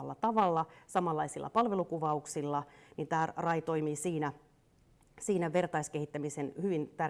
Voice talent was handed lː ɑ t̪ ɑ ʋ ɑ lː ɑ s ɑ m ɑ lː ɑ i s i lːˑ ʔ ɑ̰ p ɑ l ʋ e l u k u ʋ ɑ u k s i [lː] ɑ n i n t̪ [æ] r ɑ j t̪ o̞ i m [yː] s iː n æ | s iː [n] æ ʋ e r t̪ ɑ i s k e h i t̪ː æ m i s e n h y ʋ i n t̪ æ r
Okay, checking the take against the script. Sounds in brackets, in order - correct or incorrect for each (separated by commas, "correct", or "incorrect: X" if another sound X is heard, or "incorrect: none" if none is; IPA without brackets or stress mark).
correct, incorrect: æː, incorrect: iː, correct